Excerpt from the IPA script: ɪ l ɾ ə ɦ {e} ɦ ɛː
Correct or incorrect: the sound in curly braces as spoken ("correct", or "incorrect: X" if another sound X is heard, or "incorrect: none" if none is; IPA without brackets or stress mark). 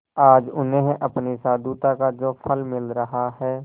incorrect: a